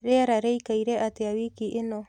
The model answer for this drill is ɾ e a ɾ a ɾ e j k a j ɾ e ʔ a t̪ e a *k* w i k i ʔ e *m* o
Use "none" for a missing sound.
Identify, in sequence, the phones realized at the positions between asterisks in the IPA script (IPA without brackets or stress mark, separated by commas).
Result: none, n